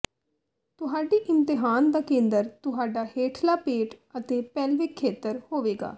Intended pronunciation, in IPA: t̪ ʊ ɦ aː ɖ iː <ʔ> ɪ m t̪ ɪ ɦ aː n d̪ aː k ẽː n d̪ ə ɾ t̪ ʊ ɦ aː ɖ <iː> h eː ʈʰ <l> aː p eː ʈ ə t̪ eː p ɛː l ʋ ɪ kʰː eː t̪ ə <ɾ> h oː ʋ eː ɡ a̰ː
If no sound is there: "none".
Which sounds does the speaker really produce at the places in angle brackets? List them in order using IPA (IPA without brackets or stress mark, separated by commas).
ʔ, aː, l, ɾ